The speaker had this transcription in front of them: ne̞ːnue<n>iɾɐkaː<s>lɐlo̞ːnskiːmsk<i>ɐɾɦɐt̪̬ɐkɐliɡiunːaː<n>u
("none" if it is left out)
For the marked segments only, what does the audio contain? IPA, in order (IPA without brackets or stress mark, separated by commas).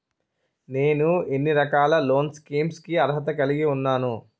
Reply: nː, none, i, n